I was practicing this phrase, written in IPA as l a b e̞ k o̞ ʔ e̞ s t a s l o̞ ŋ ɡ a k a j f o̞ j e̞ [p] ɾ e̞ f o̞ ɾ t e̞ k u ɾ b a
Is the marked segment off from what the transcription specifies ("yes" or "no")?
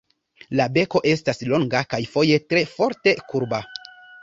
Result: yes